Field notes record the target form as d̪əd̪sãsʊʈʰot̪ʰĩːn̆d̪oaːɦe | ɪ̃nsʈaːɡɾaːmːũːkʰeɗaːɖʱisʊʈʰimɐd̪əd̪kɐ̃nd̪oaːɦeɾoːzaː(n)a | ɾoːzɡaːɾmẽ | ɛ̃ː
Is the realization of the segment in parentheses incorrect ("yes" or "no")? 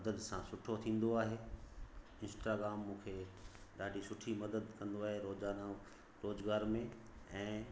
no